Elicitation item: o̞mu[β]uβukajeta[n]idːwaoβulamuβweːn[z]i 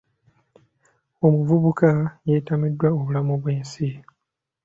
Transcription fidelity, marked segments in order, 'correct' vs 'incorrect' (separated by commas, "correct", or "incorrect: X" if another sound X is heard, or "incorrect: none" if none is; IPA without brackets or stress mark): incorrect: v, incorrect: m, incorrect: s